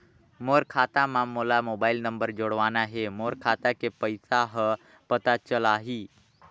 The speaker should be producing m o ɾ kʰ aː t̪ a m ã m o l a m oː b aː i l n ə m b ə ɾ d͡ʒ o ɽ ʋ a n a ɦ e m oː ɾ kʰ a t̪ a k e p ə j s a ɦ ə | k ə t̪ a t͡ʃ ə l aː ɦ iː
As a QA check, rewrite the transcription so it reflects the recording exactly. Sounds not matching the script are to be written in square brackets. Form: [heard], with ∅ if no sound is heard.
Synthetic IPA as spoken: m o ɾ kʰ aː t̪ a m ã m o l a m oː b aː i l n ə m b ə ɾ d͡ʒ o ɽ ʋ a n a ɦ e m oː ɾ kʰ a t̪ a k e p ə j s a ɦ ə | [p] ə t̪ a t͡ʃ ə l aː ɦ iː